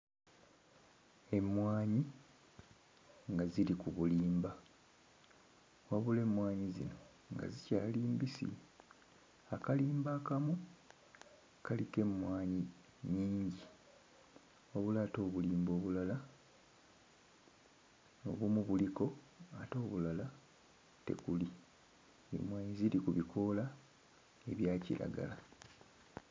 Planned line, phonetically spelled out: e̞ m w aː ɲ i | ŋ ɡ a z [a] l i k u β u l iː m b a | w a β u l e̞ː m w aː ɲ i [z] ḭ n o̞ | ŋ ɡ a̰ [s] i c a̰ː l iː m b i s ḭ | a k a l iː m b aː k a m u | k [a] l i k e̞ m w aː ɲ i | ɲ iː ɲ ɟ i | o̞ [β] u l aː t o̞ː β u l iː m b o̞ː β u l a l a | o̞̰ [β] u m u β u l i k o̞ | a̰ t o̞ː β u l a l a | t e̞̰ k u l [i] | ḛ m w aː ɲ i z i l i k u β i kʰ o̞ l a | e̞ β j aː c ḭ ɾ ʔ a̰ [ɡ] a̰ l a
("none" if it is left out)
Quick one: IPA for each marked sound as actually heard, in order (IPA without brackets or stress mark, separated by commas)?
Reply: i, z, z, a, β, β, i, ɡ